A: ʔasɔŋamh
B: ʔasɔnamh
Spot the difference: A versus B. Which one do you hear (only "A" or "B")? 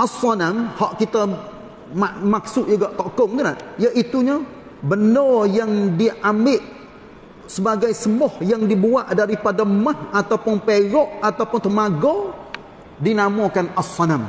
B